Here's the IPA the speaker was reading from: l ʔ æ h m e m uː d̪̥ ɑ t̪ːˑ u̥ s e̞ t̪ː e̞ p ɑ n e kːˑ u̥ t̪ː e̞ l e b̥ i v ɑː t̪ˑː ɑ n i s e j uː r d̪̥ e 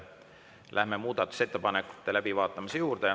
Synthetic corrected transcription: l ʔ æ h m e m uː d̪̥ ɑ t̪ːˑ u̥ s e̞ t̪ː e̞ p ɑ n e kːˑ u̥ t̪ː e̞ l æ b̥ i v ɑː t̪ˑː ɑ m i s e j uː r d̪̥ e